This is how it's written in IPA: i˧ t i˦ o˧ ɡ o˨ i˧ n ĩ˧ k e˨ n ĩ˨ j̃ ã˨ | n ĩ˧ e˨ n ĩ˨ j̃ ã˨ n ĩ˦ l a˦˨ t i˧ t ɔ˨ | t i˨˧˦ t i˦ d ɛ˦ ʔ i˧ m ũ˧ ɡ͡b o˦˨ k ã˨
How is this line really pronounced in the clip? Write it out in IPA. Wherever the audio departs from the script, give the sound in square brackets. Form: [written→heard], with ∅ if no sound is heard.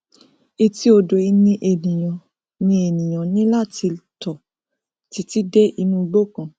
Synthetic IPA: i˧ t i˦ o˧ [ɡ→d] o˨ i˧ n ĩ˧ [k→ʔ] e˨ n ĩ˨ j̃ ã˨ | n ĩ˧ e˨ n ĩ˨ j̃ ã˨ n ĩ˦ l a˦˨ t i˧ t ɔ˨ | t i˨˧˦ t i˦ d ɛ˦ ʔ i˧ [m→n] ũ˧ ɡ͡b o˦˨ k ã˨